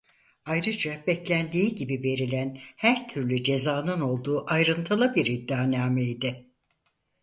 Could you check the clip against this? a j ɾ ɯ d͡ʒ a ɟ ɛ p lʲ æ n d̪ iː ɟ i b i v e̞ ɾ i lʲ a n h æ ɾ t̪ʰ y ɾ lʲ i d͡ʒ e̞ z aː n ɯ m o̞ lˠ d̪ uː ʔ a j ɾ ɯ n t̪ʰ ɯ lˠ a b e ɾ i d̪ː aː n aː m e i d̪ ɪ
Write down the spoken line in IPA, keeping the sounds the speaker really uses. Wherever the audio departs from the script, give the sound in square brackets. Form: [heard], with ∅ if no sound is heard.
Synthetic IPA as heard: a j ɾ ɯ d͡ʒ a [b] ɛ [c] lʲ æ n d̪ iː ɟ i b i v e̞ ɾ i lʲ [æ] n h æ ɾ t̪ʰ y ɾ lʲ [y] d͡ʒ e̞ z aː n ɯ [n] o̞ lˠ d̪ uː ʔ a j ɾ ɯ n t̪ʰ ɯ lˠ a b [i] ɾ i d̪ː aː n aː m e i d̪ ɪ